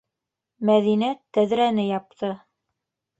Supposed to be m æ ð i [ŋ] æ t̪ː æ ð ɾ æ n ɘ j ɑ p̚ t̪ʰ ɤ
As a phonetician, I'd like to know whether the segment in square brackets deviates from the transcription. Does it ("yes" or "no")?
yes